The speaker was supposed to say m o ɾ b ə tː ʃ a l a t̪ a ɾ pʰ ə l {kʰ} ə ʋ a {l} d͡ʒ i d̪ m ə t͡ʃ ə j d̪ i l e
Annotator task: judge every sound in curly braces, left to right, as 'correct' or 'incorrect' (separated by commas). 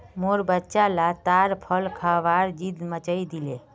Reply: correct, incorrect